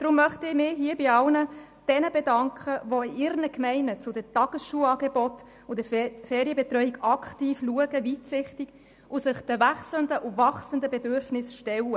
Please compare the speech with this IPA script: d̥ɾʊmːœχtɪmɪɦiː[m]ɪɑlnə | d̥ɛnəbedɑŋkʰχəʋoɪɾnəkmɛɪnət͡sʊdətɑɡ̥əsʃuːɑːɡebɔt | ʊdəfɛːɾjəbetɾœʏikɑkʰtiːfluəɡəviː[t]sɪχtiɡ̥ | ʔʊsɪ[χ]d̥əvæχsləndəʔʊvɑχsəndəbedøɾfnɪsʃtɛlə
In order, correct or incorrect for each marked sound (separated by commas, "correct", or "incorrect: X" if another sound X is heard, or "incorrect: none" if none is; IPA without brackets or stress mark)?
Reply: incorrect: b, correct, correct